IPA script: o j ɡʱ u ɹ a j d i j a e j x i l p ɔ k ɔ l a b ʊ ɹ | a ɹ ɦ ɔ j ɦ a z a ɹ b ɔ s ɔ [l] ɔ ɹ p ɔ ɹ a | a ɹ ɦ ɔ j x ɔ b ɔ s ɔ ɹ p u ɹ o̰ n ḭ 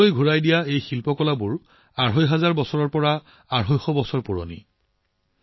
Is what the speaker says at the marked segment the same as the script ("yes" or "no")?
no